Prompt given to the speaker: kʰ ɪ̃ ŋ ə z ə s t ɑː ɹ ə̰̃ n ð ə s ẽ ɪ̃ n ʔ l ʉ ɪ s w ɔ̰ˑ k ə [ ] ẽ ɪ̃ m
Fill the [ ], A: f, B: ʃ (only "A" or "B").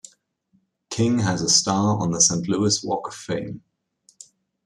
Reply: A